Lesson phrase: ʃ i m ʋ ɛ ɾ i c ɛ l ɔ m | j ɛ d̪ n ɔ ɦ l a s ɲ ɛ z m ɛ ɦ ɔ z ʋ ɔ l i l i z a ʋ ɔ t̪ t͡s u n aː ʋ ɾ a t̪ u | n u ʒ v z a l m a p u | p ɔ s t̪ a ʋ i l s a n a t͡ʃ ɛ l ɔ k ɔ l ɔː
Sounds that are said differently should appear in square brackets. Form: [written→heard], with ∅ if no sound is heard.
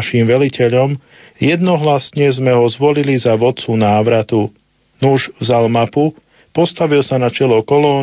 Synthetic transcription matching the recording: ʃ i m ʋ ɛ [ɾ→l] i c ɛ [l→ʎ] ɔ m | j ɛ d̪ n ɔ ɦ l a s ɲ ɛ z m ɛ ɦ ɔ z ʋ ɔ l i l i z a ʋ ɔ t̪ t͡s u n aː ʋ ɾ a t̪ u | n u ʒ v z a l m a p u | p ɔ s t̪ a ʋ i l s a n a t͡ʃ ɛ l ɔ k ɔ l ɔː